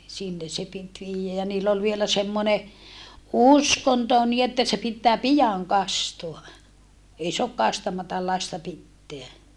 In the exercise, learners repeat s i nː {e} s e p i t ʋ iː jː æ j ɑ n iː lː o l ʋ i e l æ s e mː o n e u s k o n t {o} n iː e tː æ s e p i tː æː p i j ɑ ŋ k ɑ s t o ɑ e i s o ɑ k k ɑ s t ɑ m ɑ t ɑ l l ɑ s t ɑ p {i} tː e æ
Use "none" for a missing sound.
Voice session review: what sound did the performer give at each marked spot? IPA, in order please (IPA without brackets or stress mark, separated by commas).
e, o, i